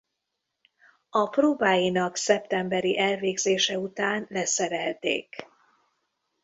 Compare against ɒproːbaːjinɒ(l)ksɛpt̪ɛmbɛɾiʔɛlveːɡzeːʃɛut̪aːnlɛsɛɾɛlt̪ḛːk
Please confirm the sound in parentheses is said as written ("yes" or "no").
no